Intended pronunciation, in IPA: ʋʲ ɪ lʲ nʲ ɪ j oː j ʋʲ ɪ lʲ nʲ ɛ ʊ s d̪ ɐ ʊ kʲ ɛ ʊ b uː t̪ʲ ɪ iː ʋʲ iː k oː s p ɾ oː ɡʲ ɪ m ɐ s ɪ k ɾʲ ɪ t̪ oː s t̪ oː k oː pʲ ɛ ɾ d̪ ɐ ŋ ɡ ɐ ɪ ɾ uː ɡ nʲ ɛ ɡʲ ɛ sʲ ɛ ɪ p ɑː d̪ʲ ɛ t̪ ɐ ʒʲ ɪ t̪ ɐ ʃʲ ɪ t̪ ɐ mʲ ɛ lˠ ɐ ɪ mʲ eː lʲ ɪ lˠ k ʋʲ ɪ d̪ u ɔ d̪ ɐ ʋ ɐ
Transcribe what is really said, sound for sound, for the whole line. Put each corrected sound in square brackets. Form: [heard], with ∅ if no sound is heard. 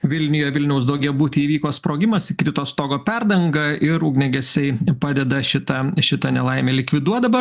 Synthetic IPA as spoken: ʋʲ ɪ lʲ nʲ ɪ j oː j ʋʲ ɪ lʲ nʲ ɛ ʊ s d̪ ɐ ʊ [ɡʲ] ɛ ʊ b uː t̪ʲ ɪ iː ʋʲ iː k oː s p ɾ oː ɡʲ ɪ m ɐ s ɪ k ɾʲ ɪ t̪ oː s t̪ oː [ɡ] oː pʲ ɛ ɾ d̪ ɐ ŋ ɡ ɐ ɪ ɾ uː ɡ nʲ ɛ ɡʲ ɛ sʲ ɛ ɪ p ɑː d̪ʲ ɛ [d̪] ɐ [ʃʲ] ɪ t̪ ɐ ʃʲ ɪ t̪ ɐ [nʲ] ɛ lˠ ɐ ɪ mʲ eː lʲ ɪ [∅] k ʋʲ ɪ d̪ u ɔ d̪ ɐ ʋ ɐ